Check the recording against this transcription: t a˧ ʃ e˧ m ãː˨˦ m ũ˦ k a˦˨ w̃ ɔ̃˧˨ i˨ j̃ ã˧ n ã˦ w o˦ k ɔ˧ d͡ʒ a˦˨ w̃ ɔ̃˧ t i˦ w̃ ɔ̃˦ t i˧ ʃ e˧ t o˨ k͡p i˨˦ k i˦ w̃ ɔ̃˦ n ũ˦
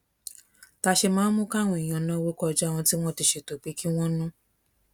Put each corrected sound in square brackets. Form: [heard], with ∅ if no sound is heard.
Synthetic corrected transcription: t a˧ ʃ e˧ m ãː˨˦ m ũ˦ k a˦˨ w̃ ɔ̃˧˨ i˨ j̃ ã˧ n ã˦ w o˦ k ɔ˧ d͡ʒ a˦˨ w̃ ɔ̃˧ t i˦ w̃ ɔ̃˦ t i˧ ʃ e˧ t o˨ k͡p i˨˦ k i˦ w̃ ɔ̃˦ n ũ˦